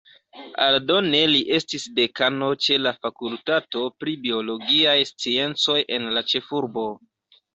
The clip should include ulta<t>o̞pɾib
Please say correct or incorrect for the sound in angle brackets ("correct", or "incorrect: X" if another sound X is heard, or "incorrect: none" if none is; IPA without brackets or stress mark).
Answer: correct